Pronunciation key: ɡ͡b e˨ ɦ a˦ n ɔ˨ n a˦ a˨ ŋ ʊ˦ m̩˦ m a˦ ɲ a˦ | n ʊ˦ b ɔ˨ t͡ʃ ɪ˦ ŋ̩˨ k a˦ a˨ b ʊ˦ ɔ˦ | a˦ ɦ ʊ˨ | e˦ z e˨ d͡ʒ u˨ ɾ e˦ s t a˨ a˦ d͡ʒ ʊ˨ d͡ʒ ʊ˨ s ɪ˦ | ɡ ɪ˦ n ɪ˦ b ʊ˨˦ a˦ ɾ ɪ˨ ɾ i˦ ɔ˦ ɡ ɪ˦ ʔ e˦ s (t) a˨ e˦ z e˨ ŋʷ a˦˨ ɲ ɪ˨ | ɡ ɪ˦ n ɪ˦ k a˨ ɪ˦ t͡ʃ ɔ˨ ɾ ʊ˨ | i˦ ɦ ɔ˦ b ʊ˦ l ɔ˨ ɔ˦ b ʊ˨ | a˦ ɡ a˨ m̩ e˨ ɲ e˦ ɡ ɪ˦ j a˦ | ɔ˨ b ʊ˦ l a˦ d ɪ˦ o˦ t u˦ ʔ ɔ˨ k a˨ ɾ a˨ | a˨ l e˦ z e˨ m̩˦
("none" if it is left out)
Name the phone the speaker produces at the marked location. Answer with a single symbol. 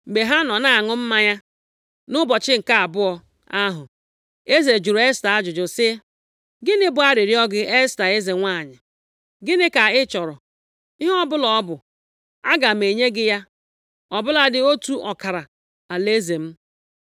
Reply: t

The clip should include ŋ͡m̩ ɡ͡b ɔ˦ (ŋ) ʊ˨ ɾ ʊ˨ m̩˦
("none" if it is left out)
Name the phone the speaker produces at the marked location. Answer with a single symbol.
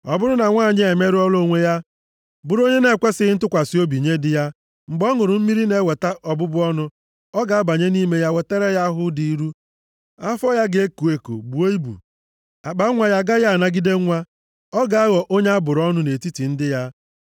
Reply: ŋ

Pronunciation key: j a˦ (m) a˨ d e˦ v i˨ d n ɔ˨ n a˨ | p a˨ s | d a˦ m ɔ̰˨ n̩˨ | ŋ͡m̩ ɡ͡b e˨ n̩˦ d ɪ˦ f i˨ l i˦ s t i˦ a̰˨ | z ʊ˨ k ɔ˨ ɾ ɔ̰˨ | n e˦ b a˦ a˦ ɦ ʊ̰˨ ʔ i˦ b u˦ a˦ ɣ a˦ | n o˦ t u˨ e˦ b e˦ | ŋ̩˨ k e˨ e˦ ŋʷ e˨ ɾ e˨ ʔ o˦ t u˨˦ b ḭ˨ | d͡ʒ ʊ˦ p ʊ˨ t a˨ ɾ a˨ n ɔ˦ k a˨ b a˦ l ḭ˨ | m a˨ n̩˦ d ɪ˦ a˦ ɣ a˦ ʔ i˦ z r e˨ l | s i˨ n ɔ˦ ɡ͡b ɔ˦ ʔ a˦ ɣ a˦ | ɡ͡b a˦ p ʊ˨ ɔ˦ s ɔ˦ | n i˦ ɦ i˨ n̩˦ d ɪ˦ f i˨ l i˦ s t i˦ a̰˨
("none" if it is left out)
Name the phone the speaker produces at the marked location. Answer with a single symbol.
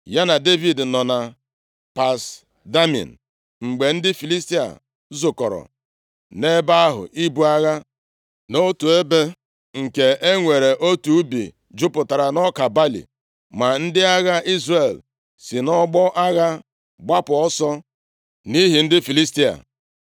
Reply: n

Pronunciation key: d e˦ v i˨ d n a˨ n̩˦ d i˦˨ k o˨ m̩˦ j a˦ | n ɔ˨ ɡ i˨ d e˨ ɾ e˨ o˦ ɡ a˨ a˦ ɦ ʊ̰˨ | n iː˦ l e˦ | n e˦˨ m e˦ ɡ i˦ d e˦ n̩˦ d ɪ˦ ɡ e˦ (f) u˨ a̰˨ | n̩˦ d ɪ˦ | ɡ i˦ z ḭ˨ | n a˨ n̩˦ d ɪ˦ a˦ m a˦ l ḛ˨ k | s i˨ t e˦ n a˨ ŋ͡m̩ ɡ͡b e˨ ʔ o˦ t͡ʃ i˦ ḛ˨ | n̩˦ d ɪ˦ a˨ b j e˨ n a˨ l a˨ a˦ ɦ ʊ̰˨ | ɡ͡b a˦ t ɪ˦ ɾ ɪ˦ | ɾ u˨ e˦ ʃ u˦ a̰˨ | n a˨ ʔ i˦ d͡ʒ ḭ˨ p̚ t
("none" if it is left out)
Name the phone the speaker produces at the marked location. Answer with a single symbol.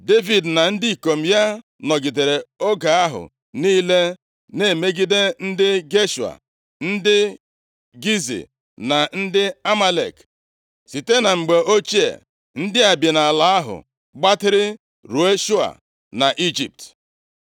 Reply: ʃ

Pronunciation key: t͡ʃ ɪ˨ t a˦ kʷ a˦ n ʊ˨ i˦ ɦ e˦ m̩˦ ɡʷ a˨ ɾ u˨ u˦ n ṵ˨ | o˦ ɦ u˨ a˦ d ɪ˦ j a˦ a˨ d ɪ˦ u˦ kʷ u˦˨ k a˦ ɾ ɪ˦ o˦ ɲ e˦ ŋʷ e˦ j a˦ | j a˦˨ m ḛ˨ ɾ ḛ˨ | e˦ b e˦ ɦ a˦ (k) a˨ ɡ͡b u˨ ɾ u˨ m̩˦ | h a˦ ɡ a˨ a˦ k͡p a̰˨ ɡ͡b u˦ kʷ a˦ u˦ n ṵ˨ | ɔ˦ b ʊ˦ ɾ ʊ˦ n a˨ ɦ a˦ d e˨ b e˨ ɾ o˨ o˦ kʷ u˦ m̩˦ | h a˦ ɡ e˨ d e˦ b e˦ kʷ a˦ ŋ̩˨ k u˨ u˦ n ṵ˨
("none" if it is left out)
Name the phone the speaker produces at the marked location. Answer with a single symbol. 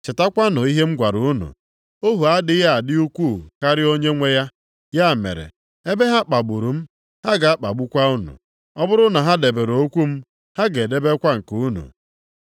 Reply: k͡p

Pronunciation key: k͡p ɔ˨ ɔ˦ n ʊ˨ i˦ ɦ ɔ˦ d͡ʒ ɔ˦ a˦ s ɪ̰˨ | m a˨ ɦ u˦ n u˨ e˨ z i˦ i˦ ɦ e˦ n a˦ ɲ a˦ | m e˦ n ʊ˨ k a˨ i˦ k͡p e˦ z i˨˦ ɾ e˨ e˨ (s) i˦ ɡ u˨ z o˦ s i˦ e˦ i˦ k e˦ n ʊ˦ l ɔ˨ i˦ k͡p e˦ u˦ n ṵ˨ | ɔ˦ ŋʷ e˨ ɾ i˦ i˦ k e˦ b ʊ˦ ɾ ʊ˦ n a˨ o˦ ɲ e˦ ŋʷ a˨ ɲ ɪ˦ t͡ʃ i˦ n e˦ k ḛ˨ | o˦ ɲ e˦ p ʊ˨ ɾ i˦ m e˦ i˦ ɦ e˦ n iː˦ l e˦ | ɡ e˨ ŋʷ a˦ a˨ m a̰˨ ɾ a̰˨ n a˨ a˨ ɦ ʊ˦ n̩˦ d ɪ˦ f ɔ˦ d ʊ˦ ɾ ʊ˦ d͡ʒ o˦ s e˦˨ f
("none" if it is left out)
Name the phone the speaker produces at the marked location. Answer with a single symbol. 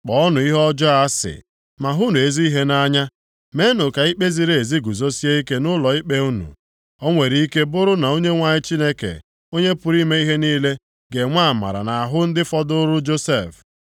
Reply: z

